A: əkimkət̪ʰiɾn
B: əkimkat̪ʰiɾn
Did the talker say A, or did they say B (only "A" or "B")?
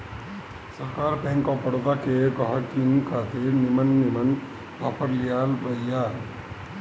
B